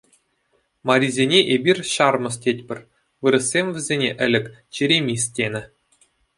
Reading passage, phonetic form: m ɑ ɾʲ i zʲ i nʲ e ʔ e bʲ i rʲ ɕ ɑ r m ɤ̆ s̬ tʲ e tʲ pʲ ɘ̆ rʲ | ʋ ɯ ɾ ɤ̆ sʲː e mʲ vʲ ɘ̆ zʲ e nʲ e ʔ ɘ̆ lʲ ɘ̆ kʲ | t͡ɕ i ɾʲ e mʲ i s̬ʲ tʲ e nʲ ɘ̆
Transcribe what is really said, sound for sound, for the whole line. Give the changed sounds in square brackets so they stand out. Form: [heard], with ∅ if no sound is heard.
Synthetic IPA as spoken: m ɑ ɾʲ i zʲ [e] nʲ e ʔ e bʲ i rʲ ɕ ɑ r m ɤ̆ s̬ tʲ e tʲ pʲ ɘ̆ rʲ | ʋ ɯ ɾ ɤ̆ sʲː e mʲ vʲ ɘ̆ zʲ e nʲ e ʔ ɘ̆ lʲ ɘ̆ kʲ | t͡ɕ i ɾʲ e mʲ i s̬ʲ tʲ e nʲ ɘ̆